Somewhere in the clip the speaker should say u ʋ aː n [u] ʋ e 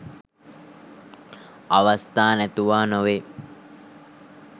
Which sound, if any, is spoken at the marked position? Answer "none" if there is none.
o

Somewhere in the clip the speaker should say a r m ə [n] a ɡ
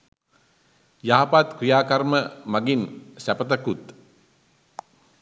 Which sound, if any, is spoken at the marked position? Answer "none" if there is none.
m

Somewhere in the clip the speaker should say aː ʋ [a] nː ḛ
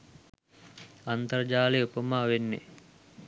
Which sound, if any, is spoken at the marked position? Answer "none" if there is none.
e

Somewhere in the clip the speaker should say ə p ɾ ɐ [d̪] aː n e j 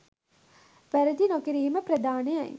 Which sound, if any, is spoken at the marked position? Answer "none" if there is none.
d̪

